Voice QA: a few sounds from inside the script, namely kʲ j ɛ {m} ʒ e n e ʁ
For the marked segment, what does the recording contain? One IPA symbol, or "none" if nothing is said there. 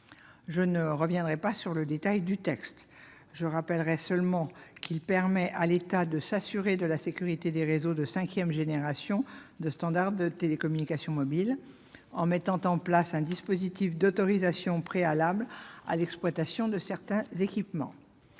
m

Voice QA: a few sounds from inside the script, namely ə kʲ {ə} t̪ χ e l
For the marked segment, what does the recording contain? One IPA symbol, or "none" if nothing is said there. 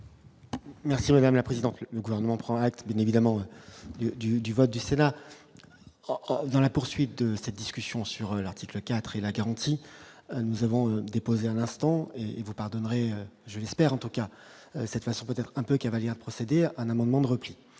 a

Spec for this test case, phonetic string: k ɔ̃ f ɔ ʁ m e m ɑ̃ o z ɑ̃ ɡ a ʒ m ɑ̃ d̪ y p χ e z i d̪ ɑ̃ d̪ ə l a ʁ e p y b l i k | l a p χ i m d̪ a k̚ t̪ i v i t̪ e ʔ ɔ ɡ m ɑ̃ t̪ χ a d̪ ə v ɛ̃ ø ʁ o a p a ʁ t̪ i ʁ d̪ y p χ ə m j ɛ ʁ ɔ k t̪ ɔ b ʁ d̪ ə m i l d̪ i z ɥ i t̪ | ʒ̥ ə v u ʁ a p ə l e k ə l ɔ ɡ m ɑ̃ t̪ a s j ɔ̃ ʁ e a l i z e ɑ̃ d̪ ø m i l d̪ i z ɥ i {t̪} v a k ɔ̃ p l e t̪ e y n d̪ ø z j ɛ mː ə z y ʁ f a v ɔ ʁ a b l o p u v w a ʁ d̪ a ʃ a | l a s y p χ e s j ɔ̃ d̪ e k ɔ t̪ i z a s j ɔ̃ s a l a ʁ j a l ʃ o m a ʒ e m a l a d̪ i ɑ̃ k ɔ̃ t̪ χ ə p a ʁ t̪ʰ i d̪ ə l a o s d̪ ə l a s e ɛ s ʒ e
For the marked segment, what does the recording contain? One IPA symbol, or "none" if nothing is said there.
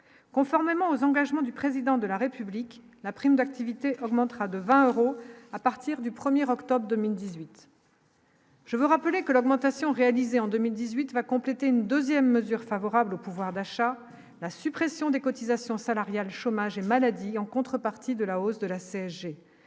t̪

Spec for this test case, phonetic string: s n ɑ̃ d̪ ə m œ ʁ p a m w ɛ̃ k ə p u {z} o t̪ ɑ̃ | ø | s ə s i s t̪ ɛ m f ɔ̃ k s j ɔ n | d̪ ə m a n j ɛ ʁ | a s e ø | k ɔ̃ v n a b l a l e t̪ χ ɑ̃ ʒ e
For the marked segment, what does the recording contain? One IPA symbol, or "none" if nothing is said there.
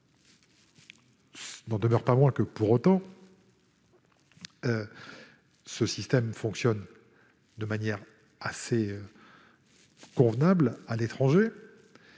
ʁ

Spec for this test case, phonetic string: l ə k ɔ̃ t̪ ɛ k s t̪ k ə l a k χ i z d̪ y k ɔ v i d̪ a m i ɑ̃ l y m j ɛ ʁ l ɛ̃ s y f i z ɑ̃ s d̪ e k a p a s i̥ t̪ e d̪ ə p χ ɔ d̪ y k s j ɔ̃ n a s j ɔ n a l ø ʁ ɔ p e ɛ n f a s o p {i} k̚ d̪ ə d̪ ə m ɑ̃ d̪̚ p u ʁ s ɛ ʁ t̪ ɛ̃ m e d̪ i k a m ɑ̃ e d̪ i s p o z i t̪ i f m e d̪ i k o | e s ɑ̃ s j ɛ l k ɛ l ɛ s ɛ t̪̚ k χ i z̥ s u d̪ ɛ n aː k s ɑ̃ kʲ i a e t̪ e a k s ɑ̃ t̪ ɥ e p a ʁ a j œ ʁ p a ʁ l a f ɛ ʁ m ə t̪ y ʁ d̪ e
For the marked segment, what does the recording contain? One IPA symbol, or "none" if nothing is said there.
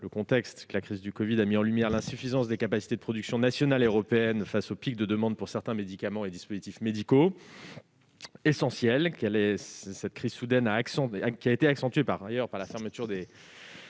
i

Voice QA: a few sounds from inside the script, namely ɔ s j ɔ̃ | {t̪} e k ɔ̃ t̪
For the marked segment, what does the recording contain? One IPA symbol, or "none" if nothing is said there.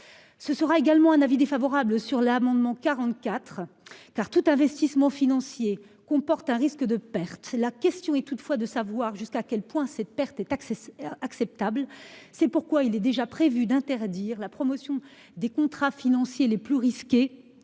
d̪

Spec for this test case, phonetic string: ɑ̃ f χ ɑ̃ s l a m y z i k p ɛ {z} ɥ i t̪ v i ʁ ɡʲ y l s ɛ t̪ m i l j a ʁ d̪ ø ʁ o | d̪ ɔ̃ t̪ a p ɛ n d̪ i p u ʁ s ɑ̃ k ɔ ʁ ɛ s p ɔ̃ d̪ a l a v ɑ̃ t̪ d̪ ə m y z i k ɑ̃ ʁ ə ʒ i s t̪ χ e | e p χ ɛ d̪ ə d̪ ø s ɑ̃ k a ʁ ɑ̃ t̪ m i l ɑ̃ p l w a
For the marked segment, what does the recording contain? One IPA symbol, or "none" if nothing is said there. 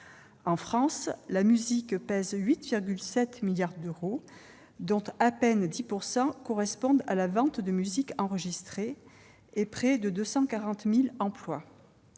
z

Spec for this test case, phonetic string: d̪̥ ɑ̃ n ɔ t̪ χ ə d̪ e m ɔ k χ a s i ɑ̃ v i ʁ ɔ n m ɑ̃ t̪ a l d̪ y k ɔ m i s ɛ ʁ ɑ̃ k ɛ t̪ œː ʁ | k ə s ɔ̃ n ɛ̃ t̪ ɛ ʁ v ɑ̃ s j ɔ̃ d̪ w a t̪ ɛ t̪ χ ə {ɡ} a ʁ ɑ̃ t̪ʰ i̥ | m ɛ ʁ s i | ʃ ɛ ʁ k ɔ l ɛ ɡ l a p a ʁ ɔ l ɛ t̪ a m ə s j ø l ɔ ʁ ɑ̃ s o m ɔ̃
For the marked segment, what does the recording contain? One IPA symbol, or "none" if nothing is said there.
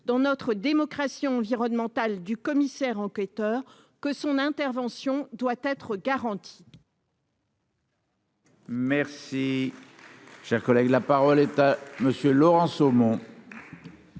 ɡ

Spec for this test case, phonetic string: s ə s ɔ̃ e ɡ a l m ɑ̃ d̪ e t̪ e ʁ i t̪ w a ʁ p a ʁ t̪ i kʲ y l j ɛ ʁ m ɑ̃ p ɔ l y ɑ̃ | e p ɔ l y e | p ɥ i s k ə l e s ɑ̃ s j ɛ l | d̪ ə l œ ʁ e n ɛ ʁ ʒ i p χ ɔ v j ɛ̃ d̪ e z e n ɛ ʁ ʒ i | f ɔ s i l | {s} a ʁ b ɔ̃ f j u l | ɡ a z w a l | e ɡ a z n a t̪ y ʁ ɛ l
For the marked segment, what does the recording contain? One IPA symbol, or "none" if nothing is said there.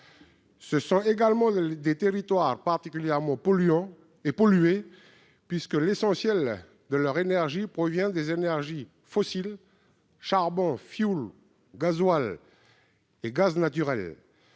ʃ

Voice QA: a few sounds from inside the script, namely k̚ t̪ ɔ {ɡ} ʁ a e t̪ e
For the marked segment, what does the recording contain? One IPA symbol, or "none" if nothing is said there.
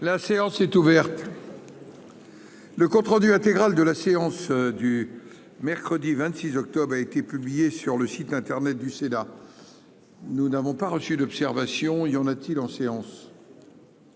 b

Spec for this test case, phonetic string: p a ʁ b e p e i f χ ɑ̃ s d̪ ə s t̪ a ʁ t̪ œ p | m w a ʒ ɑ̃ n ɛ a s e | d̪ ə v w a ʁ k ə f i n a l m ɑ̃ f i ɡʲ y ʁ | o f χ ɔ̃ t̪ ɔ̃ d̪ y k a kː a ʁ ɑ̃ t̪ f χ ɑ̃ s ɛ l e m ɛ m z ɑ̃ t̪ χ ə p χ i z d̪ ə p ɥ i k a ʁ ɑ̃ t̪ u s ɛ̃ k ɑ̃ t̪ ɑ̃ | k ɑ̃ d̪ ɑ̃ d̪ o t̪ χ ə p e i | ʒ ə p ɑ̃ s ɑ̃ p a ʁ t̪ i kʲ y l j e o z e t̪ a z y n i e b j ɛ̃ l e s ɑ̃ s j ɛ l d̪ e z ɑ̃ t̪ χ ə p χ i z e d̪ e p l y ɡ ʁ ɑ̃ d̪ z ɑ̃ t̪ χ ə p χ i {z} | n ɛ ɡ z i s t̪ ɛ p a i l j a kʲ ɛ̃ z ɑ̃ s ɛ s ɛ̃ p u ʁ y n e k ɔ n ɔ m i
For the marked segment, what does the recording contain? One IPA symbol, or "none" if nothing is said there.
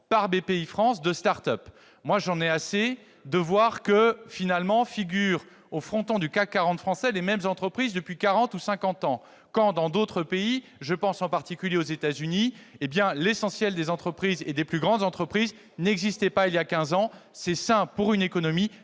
z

